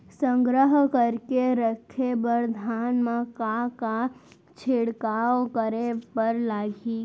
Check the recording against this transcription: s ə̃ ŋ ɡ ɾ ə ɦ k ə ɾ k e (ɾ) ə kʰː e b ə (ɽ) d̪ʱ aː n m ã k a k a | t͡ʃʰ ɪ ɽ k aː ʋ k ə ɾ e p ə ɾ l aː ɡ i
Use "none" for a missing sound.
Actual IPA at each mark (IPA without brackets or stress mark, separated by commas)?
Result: ɾ, ɾ